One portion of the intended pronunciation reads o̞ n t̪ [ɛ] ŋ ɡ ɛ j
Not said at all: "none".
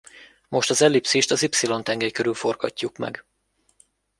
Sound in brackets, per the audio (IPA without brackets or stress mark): ɛ